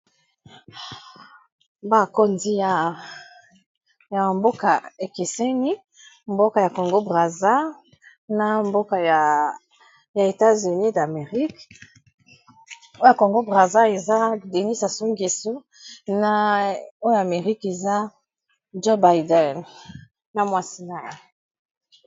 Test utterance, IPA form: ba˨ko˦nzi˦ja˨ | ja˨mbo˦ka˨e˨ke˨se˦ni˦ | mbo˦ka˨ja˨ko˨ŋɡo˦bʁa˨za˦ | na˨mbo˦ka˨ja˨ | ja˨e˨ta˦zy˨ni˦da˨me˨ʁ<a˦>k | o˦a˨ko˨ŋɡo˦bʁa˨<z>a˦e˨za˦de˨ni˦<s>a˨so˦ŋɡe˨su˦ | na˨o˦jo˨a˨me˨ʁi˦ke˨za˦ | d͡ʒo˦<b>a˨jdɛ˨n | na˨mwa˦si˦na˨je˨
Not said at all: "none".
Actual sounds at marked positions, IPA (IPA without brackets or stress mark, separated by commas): i˦, z, s, b